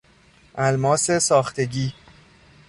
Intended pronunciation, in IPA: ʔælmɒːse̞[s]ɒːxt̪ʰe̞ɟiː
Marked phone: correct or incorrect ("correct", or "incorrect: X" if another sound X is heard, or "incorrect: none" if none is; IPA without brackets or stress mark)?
correct